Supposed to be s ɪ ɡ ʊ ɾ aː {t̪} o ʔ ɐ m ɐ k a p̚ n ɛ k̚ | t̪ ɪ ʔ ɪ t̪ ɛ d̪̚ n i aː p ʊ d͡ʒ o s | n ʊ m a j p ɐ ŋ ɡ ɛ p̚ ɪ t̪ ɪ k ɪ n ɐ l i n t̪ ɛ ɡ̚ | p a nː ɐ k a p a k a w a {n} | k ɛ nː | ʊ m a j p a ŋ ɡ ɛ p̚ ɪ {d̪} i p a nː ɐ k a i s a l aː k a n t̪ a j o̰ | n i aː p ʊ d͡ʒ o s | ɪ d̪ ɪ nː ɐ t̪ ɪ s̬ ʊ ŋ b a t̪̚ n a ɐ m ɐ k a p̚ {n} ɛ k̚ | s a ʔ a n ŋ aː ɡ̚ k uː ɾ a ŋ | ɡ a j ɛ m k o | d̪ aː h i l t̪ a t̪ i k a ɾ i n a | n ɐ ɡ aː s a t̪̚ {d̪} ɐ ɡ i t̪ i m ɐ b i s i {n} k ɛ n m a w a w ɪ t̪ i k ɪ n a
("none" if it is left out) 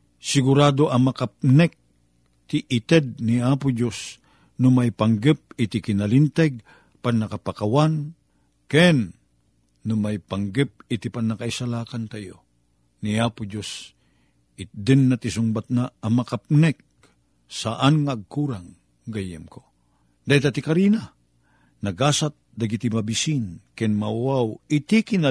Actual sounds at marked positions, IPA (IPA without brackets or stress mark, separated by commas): d̪, n, t̪, n, d̪, n